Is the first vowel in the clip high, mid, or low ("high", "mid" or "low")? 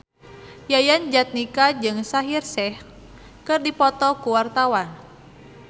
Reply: low